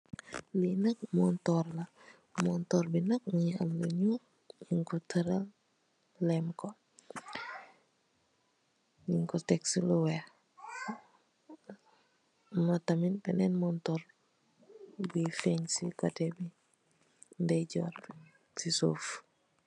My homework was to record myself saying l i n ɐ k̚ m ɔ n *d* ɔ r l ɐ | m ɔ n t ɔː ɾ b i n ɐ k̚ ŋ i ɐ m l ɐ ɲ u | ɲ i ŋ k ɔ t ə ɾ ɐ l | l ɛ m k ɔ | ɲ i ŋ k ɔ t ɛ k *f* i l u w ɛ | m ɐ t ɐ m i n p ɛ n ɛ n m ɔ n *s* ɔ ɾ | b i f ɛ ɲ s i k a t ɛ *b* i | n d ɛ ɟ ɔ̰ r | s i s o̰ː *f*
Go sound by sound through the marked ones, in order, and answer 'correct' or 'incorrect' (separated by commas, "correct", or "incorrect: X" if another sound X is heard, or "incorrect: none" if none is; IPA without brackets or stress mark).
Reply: incorrect: t, incorrect: s, incorrect: t, correct, correct